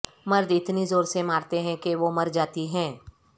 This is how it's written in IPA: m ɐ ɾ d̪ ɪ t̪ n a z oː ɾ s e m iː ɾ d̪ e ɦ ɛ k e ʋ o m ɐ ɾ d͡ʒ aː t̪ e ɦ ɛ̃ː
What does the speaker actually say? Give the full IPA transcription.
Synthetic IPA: m ɐ ɾ d̪ ɪ t̪ n i z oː ɾ s e m aː ɾ t̪ e ɦ ɛ̃ k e ʋ o m ɐ ɾ d͡ʒ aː t̪ i ɦ ɛ̃ː